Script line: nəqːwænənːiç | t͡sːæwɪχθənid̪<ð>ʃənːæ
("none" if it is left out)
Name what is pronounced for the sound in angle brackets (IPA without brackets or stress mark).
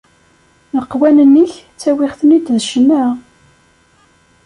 ð